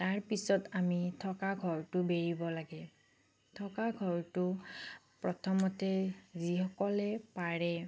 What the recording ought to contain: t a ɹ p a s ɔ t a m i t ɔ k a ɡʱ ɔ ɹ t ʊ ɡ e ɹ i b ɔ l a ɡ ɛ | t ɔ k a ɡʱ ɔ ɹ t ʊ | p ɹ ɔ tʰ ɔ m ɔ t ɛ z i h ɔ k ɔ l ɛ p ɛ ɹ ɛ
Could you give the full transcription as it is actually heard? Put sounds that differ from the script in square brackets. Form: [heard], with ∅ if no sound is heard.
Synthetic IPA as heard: t a ɹ p [i] s ɔ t a m i [tʰ] ɔ k a ɡʱ ɔ ɹ t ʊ [b] e ɹ i b ɔ l a ɡ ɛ | [tʰ] ɔ k a ɡʱ ɔ ɹ t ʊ | p ɹ ɔ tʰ ɔ m ɔ t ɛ z i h ɔ k ɔ l ɛ p [a] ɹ ɛ